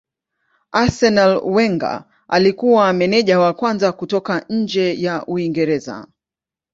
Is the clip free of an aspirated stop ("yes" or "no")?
yes